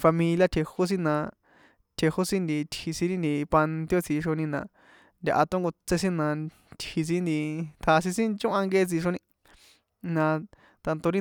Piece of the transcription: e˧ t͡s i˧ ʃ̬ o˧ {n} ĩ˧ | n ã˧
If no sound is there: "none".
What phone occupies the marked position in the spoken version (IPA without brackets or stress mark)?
n